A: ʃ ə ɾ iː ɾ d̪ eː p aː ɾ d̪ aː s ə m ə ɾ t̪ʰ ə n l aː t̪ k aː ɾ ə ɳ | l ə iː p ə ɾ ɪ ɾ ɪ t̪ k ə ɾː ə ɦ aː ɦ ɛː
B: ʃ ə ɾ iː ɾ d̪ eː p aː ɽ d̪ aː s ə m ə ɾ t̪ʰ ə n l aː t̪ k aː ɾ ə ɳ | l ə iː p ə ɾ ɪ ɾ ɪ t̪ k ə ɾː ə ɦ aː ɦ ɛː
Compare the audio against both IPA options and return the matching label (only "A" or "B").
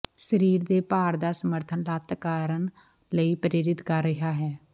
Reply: A